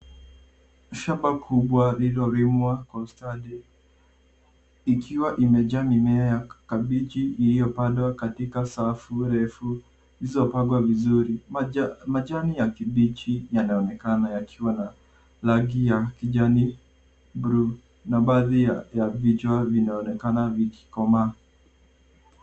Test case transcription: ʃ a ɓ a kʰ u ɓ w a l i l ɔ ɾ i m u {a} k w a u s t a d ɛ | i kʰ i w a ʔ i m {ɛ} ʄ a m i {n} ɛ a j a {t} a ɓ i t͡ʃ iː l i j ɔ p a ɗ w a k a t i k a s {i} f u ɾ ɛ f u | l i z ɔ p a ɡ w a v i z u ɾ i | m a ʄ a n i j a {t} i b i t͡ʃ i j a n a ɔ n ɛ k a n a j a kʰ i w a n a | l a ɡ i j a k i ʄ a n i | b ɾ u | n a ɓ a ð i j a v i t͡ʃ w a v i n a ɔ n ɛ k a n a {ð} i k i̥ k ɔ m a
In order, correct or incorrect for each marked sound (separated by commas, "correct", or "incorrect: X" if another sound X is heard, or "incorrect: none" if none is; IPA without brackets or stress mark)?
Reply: correct, correct, incorrect: m, incorrect: k, incorrect: a, incorrect: k, incorrect: v